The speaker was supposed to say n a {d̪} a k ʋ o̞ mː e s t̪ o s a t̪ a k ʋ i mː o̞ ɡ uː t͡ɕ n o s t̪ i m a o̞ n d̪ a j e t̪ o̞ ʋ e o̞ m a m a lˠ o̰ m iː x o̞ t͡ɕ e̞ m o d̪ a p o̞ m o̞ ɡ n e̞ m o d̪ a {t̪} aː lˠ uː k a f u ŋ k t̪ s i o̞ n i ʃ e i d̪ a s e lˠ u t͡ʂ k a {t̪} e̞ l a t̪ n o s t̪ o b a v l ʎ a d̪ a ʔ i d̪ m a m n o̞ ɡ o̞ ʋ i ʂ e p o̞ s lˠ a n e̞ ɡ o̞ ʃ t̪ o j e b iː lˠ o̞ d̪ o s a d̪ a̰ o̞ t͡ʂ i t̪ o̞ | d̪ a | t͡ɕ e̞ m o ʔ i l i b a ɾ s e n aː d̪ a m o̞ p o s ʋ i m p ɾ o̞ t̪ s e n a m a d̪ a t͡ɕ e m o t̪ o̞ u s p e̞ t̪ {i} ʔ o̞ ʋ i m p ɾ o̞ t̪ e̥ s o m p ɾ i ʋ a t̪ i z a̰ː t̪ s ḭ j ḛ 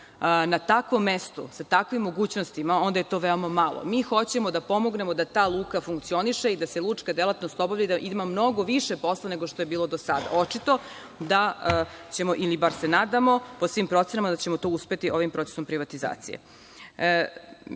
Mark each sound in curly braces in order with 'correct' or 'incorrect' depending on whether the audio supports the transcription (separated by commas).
incorrect, correct, incorrect, correct